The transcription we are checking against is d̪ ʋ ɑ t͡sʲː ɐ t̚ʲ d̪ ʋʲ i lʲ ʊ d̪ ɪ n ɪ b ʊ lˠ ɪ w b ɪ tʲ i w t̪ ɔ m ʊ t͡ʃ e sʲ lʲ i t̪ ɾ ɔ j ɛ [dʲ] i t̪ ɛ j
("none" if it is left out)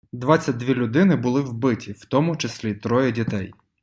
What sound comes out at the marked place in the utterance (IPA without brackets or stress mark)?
dʲ